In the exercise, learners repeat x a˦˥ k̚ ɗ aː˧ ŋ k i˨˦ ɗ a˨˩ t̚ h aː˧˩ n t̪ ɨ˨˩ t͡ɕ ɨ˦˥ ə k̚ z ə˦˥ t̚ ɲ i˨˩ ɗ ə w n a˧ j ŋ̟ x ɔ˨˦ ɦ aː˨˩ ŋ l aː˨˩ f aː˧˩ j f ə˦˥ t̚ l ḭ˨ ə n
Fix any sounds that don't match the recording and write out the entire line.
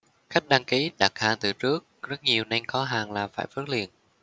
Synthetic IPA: x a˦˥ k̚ ɗ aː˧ ŋ k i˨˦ ɗ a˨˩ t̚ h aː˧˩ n t̪ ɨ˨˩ t͡ɕ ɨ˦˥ ə k̚ z ə˦˥ t̚ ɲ i˨˩ ə w n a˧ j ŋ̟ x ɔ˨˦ ɦ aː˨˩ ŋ l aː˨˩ f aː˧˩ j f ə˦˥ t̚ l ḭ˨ ə n